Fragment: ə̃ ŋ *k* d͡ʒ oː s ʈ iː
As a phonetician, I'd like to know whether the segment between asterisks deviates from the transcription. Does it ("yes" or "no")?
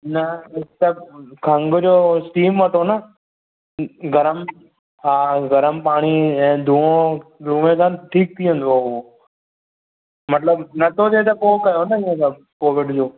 yes